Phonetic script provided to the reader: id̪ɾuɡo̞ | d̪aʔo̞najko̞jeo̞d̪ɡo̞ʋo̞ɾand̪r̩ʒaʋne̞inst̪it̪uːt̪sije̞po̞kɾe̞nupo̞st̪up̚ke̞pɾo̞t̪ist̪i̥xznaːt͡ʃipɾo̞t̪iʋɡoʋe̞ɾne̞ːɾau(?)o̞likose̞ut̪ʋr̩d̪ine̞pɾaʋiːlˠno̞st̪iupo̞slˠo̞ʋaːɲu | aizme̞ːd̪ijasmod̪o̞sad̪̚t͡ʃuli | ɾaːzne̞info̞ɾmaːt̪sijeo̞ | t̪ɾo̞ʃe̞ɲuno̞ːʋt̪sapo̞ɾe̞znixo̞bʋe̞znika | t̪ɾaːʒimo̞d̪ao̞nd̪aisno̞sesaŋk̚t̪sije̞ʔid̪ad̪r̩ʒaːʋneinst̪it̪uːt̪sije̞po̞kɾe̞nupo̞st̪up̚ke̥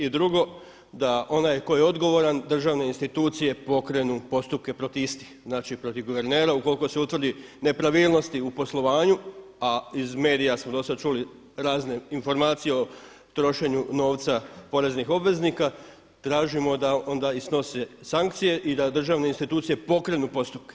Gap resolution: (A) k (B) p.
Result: A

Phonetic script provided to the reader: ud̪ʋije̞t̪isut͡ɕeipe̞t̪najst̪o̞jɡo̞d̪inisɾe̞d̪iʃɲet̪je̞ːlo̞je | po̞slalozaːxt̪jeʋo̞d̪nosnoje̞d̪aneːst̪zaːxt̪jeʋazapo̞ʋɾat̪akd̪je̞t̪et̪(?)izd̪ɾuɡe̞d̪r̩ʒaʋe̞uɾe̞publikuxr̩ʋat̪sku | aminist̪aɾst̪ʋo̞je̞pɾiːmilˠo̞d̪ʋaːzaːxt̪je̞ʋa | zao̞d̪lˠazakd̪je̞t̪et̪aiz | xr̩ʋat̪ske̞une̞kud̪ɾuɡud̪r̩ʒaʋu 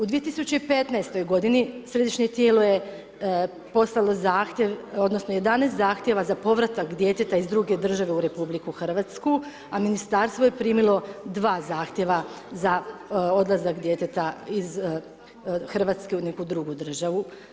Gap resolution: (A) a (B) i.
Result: A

